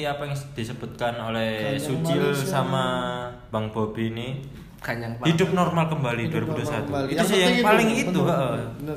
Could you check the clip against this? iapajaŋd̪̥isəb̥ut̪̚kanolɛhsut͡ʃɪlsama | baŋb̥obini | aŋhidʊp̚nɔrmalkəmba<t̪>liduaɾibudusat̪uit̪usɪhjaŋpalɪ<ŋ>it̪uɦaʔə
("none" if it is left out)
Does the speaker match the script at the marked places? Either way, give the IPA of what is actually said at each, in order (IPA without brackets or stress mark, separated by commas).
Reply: none, ŋ